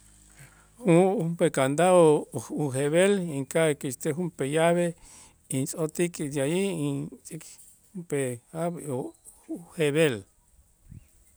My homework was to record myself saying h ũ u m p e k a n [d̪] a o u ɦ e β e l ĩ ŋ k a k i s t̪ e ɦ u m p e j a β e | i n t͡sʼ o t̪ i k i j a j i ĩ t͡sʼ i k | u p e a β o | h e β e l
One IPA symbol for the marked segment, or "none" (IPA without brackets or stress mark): d̪